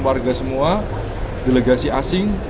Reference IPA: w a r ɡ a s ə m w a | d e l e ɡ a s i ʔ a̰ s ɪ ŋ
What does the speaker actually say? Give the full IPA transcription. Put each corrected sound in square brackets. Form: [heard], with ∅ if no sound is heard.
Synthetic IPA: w a r ɡ a s ə m [u] a | d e l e ɡ a s i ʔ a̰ s ɪ ŋ